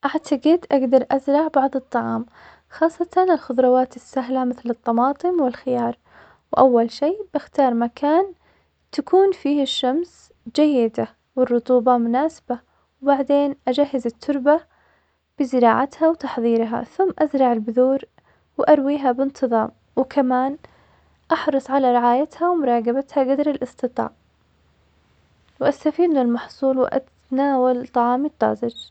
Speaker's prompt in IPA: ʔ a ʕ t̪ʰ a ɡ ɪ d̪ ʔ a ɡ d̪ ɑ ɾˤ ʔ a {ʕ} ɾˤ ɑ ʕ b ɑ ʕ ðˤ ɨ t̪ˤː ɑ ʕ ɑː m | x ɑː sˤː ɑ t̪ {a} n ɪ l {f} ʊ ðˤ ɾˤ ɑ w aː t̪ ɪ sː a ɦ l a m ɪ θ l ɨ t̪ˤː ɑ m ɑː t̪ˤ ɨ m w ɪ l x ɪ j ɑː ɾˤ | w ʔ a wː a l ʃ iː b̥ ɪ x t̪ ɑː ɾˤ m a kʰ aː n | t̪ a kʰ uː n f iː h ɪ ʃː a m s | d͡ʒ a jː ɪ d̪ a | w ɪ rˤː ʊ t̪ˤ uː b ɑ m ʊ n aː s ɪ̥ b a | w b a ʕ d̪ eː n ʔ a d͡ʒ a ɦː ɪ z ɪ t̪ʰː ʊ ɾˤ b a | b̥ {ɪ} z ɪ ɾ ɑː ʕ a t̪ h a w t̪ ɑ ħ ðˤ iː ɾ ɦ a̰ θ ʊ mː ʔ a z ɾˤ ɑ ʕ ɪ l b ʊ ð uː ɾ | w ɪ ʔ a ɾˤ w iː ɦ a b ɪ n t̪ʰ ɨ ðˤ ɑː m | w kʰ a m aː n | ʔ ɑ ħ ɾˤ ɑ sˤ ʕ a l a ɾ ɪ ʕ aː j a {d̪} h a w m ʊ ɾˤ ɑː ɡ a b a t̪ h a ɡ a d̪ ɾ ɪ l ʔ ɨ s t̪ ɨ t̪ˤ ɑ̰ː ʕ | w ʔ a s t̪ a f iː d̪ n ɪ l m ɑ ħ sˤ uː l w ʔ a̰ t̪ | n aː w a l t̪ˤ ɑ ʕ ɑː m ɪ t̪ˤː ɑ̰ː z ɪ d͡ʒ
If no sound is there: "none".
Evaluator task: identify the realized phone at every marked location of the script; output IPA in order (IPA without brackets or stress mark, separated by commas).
z, ɑ, x, ɪ, t̪